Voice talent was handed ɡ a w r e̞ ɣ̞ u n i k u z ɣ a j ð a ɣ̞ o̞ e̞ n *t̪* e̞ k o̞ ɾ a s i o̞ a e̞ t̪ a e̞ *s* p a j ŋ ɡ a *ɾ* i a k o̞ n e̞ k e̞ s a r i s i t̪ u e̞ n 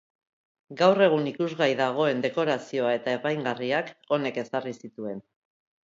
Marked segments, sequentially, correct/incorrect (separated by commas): incorrect, incorrect, incorrect